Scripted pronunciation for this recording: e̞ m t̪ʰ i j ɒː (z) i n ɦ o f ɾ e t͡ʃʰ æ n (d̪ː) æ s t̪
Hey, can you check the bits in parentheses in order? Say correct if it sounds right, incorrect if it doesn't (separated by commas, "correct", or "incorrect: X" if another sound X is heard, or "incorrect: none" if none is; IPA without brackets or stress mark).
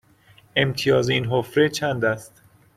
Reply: correct, incorrect: d̪